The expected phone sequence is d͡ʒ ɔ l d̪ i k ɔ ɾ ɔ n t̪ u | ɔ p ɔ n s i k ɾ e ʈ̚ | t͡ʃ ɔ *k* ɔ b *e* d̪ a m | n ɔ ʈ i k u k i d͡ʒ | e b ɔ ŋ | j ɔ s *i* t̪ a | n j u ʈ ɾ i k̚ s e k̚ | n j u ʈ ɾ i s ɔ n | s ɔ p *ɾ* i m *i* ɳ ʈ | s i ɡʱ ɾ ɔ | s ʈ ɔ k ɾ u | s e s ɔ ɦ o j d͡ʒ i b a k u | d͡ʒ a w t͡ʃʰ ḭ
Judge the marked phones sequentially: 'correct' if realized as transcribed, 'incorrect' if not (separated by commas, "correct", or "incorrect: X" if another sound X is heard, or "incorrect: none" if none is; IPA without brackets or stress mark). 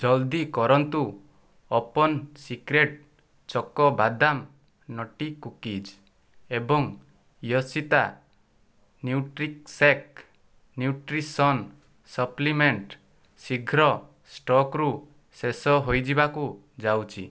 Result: correct, incorrect: a, correct, incorrect: l, incorrect: e